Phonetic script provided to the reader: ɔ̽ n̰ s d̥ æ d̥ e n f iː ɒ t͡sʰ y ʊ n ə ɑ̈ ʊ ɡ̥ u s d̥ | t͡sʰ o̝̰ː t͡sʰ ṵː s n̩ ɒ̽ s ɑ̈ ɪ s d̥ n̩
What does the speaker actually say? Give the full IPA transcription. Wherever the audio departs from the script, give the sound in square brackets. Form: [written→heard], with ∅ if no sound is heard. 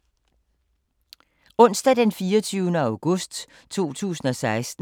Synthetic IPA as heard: ɔ̽ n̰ s d̥ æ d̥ e n f iː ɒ t͡sʰ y ʊ n ə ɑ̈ ʊ ɡ̥ [u→ɔ] s d̥ | t͡sʰ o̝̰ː t͡sʰ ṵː s n̩ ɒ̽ s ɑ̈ ɪ s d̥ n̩